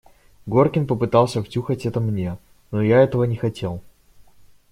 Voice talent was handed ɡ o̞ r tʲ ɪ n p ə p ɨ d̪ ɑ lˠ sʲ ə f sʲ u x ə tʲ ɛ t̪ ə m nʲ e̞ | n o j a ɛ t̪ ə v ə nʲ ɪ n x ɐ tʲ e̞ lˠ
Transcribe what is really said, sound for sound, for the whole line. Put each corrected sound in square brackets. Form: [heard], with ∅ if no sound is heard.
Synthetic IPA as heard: ɡ o̞ r [kʲ] ɪ n p ə p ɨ [t̪] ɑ lˠ sʲ ə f [tʲ] u x ə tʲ ɛ t̪ ə m nʲ e̞ | n o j a ɛ t̪ ə v ə nʲ ɪ [∅] x ɐ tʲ e̞ lˠ